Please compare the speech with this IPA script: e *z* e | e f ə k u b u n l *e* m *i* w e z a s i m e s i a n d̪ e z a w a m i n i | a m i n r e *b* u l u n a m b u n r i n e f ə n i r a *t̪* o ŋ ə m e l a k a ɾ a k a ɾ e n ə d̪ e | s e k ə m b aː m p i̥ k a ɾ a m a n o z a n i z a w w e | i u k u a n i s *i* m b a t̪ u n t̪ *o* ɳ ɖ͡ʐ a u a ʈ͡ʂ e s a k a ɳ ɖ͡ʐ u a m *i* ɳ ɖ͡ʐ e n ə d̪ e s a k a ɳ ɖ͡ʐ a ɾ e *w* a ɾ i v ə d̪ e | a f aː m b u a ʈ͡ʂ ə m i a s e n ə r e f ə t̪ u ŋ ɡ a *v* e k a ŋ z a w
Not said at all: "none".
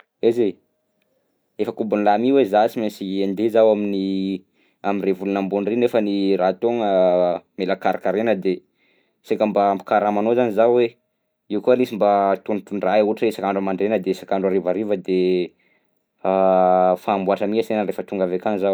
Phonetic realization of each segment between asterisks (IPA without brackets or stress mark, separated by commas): z, a, i, v, t̪, i, u, a, v, v